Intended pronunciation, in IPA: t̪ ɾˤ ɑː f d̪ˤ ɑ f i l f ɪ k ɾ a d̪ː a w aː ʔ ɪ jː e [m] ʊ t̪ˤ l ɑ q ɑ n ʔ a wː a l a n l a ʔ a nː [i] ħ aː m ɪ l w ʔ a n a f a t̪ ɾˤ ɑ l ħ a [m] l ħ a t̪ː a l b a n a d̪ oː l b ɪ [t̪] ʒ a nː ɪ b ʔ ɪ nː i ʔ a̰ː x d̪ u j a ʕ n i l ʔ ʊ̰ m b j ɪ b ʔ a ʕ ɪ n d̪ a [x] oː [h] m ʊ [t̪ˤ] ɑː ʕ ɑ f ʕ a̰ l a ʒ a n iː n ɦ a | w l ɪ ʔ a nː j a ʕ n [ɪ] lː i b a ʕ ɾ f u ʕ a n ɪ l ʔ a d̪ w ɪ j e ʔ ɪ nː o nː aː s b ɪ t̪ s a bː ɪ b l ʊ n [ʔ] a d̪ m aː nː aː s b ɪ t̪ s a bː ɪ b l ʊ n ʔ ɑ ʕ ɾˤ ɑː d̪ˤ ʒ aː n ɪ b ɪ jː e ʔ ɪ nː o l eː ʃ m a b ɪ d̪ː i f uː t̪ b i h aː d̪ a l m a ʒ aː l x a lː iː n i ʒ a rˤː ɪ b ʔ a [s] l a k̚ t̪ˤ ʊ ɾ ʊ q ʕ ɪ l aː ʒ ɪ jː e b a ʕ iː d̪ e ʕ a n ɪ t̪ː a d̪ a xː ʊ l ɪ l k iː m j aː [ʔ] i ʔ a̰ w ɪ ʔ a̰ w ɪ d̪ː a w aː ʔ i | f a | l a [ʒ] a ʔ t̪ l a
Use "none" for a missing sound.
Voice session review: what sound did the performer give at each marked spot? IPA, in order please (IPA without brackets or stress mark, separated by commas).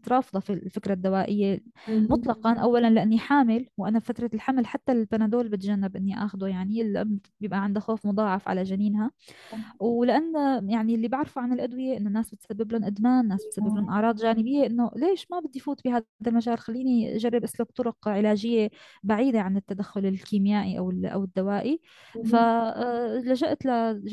m, i, m, t̪, x, f, d̪ˤ, i, ʔ, s, ʔ, ʒ